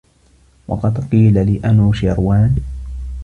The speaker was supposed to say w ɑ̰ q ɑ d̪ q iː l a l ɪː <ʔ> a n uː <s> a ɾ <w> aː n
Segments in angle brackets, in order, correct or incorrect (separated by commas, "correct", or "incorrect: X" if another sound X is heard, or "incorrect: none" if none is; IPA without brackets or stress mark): correct, incorrect: ʃ, correct